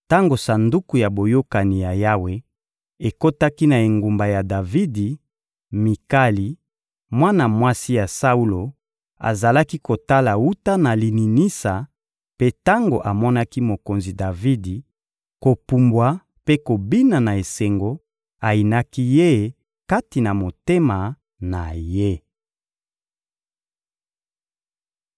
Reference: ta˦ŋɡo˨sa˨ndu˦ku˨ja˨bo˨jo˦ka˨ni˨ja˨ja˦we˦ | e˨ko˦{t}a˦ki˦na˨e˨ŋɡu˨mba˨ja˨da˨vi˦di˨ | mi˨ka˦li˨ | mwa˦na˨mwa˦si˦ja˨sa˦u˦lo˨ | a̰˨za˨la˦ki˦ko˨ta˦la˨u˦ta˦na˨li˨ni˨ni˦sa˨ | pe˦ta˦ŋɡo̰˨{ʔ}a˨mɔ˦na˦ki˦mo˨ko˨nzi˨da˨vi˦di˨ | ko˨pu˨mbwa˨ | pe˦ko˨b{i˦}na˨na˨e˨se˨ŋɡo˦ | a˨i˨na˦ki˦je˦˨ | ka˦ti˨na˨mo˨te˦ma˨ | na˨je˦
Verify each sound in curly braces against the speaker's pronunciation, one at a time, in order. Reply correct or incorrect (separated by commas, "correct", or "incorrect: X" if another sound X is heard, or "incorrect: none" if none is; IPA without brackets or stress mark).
correct, correct, correct